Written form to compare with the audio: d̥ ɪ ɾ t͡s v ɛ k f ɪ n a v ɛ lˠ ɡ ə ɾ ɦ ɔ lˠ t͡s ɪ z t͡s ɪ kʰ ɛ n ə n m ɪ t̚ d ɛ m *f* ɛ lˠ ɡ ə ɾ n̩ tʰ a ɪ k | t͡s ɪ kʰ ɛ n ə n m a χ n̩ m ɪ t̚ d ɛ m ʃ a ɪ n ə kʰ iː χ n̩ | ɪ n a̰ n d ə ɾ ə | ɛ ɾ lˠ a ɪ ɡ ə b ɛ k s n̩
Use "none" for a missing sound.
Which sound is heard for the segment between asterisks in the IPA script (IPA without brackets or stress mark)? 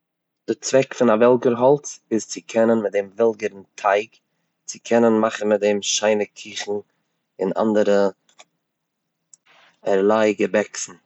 v